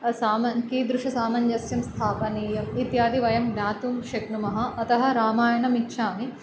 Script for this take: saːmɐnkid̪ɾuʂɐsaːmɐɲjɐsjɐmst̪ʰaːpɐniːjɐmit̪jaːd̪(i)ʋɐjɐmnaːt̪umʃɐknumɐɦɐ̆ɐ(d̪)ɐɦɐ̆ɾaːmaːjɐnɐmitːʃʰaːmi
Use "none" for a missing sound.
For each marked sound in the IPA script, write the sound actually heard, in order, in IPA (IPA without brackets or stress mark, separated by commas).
i, t̪